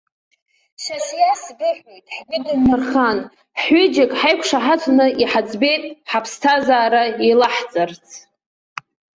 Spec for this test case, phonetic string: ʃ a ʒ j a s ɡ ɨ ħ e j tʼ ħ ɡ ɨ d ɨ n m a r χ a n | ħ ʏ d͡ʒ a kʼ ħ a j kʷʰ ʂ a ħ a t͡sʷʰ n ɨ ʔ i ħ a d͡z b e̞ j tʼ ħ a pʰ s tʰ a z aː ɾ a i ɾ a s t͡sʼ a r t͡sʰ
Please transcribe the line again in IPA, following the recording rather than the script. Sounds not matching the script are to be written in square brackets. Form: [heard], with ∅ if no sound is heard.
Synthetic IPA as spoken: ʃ a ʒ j a s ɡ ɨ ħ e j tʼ ħ ɡ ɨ d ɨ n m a r χ a n | ħ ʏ d͡ʒ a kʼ ħ a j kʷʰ ʂ a ħ a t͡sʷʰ n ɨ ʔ i ħ a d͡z b e̞ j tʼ ħ a pʰ s tʰ a z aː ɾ a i [l] a [ħ] t͡sʼ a r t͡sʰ